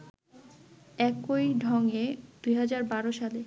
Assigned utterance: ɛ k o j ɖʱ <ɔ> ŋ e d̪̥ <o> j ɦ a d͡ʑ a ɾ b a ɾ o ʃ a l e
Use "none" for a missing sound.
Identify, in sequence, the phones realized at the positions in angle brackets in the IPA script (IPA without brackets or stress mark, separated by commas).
ɔ, u